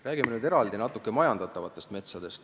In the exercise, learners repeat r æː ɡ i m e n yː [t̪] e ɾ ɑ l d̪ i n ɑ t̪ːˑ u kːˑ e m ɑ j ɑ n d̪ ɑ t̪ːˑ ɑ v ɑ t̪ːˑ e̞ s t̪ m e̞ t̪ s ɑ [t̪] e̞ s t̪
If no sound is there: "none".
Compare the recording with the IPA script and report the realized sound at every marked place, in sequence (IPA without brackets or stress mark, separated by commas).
d̪, d̪